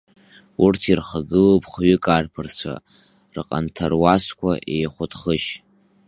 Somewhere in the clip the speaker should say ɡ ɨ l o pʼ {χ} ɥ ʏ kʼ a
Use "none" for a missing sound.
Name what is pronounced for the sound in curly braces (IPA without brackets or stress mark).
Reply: χ